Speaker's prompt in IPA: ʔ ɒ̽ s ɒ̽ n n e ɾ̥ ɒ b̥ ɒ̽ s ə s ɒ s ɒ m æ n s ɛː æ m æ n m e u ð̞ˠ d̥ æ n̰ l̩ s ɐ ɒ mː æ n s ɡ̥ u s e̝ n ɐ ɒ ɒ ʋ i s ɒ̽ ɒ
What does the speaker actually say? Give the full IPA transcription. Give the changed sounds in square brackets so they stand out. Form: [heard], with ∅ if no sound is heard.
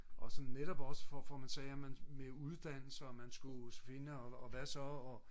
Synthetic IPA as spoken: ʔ ɒ̽ s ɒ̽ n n e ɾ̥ ɒ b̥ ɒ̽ s ə [f] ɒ [f] ɒ m æ n s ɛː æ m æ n m e u ð̞ˠ d̥ æ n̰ l̩ s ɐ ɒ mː æ n s ɡ̥ u [f] e̝ n [ə] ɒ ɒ ʋ [æ] s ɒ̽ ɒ